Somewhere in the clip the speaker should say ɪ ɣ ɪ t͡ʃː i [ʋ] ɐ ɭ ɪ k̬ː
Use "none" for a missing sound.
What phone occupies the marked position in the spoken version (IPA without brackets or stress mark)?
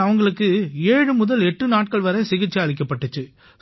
none